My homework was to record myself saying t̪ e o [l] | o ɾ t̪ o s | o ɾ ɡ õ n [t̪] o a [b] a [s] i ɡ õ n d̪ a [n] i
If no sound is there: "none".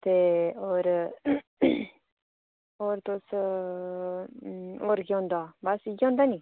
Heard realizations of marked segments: ɾ, d̪, b, s, n

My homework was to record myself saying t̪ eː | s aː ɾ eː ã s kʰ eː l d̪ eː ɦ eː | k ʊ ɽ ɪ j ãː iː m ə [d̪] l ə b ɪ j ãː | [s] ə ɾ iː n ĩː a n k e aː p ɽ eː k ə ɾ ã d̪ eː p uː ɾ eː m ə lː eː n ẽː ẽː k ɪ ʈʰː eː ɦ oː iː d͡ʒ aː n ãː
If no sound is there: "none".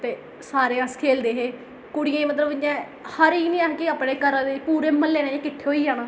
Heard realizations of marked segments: t̪, h

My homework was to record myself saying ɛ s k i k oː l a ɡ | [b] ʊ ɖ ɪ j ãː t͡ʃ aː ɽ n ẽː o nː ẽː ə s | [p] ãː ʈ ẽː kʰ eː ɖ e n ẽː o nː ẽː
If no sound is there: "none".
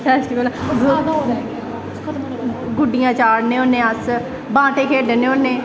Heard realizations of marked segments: ɡ, b

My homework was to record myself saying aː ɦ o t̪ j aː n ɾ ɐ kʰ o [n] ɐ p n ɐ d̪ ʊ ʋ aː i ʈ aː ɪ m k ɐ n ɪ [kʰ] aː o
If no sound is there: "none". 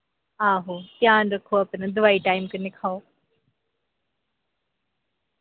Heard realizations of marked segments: none, kʰ

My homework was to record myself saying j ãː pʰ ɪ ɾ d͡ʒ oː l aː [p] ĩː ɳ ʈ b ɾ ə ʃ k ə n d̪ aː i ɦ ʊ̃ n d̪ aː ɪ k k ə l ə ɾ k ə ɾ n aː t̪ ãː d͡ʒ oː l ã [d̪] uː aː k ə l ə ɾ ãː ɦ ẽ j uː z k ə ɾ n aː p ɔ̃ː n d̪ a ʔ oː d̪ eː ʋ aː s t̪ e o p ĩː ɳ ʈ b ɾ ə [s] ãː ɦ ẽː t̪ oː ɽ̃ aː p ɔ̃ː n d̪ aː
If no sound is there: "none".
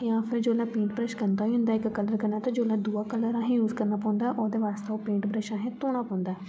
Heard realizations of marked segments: p, d̪, ʃ

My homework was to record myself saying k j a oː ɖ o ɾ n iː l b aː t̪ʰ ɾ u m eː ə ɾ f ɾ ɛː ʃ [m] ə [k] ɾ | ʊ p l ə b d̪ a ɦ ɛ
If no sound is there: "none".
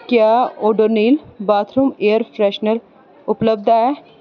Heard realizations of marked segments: n, none

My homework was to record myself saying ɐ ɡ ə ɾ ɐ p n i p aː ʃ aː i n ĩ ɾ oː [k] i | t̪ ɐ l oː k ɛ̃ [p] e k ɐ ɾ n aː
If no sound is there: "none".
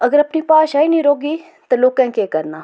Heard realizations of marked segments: ɡ, k

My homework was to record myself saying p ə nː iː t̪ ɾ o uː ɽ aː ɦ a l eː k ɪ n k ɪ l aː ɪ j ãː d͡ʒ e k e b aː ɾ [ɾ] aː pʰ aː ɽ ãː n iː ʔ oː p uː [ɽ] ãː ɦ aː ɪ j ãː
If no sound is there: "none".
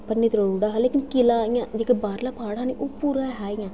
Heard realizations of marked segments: l, ɾ

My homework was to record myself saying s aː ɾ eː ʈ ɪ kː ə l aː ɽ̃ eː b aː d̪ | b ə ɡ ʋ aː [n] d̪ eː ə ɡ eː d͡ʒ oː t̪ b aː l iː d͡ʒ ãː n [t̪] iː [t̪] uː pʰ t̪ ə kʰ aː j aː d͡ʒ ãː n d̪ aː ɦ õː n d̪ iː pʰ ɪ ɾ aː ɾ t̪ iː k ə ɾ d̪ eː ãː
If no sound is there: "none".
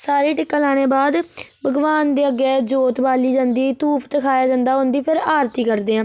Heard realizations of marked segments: n, d̪, t̪

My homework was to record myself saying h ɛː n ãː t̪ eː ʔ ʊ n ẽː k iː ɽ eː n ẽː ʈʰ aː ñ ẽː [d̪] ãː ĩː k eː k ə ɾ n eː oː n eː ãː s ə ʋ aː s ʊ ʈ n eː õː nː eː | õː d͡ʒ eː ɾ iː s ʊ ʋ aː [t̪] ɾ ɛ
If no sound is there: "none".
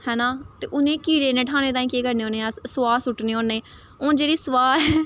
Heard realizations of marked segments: t̪, none

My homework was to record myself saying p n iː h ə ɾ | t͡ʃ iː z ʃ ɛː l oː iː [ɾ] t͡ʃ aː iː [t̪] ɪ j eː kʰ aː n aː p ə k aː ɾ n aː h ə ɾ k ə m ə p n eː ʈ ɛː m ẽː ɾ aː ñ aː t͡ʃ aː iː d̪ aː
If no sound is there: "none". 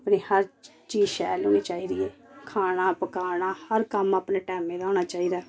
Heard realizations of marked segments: none, d̪

